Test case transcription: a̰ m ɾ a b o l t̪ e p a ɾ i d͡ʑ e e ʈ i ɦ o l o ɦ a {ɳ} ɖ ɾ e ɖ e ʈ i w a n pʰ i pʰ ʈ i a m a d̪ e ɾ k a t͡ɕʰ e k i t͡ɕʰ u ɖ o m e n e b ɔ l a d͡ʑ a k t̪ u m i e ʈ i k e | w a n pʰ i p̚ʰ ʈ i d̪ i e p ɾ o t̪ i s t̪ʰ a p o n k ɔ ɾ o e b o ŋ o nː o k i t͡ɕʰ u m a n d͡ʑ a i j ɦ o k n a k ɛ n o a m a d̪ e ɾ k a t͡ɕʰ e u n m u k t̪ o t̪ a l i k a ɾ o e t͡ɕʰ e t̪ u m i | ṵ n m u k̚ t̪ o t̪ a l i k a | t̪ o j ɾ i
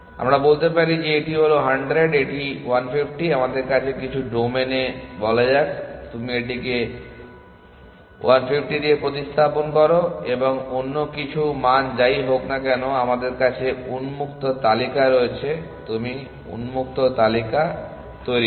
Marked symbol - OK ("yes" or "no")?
yes